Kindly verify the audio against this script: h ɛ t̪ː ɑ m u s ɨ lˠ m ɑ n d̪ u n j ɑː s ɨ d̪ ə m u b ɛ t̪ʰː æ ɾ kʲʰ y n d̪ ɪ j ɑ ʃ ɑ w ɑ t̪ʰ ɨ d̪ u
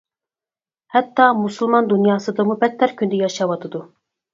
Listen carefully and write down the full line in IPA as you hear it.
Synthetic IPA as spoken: h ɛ t̪ː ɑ m u s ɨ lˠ m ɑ n d̪ u n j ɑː s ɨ d̪ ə m u b ɛ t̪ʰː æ ɾ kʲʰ y n d̪ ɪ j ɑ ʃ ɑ w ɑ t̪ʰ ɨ d̪ u